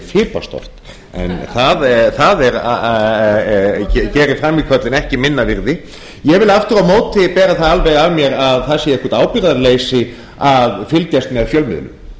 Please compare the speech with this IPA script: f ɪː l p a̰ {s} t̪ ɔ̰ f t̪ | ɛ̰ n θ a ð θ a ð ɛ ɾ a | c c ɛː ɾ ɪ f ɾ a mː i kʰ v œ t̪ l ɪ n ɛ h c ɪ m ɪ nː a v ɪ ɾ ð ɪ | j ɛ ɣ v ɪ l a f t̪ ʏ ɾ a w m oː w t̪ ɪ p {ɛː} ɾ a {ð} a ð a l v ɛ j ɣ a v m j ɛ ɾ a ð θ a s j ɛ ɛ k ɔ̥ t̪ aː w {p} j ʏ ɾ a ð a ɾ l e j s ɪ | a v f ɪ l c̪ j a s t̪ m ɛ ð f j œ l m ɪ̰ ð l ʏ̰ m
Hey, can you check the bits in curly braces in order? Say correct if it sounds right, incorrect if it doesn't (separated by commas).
correct, correct, incorrect, correct